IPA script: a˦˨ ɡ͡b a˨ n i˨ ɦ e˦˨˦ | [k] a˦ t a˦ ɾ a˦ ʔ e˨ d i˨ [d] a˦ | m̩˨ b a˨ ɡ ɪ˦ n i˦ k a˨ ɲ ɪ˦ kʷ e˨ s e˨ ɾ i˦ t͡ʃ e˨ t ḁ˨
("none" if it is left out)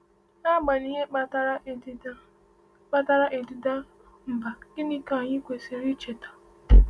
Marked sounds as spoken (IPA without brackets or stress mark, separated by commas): k͡p, d